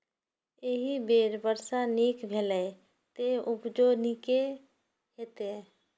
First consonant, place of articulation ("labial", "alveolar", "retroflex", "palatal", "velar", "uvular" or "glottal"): glottal